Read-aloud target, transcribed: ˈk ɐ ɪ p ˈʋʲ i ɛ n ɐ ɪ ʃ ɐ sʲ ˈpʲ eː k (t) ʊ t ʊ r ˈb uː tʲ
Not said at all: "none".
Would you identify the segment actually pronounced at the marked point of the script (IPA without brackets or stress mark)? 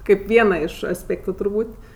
t